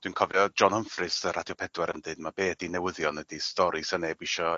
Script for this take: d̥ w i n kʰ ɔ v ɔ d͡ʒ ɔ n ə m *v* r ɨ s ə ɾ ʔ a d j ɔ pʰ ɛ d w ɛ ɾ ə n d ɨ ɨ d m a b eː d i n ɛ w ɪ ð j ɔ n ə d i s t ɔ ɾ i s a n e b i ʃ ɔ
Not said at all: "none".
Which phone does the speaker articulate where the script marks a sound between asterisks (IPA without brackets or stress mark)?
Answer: f